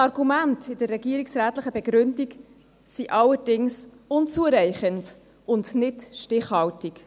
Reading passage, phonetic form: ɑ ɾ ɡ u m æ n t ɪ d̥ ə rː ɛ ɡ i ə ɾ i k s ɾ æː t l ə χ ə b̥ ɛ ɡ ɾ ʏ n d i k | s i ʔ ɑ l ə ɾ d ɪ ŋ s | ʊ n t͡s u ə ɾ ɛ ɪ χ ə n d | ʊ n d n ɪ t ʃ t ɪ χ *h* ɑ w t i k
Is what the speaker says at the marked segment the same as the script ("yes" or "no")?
yes